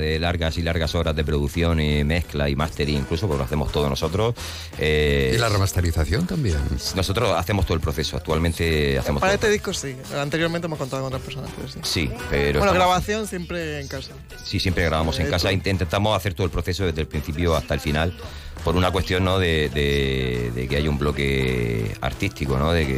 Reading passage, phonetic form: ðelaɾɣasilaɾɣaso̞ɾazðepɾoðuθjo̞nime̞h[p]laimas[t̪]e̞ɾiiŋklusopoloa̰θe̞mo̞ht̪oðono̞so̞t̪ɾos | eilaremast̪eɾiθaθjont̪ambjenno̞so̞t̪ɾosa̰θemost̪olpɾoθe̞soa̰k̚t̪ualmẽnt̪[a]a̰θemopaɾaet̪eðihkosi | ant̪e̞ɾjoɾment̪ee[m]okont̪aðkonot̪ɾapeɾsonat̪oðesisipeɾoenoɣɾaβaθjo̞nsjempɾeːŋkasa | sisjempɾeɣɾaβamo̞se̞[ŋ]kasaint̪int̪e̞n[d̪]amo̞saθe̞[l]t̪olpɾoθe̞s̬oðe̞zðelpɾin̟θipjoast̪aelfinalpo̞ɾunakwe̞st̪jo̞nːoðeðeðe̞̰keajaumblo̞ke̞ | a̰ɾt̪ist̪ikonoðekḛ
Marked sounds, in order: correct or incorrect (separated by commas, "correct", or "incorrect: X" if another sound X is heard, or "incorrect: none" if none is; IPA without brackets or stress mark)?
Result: incorrect: k, correct, incorrect: e, correct, correct, incorrect: t̪, incorrect: ɾ